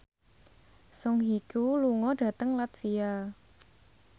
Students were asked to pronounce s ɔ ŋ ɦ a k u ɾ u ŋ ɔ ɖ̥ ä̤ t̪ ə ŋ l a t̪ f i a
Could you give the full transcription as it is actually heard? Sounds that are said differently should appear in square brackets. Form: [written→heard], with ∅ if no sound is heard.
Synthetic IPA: s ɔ ŋ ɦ [a→i] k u [ɾ→l] u ŋ ɔ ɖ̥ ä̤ t̪ ə ŋ l a t̪ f i a